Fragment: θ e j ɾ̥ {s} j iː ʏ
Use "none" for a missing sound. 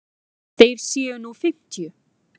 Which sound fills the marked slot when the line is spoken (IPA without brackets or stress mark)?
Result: s